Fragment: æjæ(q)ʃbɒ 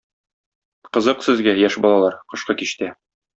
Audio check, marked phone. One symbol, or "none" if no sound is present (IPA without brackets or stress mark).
none